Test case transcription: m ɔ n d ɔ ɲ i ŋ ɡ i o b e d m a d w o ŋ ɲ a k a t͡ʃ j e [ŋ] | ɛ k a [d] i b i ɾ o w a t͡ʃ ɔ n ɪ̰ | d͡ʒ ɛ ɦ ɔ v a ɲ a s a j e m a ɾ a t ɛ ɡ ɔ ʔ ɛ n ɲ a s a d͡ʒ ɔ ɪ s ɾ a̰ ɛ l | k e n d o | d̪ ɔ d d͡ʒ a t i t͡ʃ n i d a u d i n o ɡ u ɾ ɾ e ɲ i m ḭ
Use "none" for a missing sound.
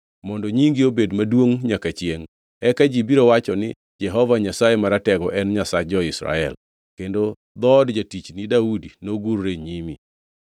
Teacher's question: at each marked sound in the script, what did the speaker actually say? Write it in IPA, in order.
ŋ, d͡ʒ

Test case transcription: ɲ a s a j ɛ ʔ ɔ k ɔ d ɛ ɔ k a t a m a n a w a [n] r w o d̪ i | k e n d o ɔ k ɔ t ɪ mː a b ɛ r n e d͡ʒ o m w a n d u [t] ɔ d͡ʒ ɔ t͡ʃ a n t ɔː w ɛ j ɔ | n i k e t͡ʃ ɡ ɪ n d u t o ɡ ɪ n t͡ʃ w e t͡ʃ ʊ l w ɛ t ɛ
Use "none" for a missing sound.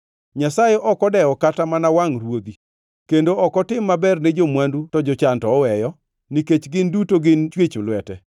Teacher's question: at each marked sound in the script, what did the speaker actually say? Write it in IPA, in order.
ŋ, t

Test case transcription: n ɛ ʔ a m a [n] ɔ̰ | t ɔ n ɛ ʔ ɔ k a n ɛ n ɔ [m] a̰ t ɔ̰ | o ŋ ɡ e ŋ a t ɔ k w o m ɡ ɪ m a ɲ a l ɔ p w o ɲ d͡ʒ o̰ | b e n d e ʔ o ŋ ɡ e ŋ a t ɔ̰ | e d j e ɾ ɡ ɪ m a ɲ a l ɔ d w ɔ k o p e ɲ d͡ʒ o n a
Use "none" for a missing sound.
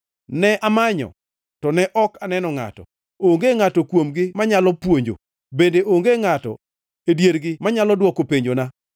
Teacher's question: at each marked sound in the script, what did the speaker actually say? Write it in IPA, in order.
ɲ, ŋ

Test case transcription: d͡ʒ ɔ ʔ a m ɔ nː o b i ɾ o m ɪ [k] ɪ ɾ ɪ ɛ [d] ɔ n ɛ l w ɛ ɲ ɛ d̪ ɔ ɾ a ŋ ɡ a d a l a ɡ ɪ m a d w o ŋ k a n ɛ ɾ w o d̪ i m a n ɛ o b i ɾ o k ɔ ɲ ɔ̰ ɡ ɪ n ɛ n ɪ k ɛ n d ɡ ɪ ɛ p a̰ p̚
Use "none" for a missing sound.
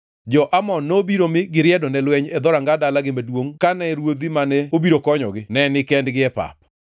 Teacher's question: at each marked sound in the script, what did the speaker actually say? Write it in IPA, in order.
ɡ, d

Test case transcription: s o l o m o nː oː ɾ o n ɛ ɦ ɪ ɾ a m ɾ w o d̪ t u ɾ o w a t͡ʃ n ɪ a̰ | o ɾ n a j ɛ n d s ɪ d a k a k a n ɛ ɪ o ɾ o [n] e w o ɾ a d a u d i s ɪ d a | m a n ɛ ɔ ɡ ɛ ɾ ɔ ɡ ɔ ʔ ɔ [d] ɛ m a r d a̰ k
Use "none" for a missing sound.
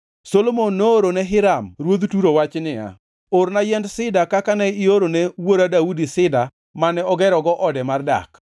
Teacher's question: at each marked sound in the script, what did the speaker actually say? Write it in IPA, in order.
n, d

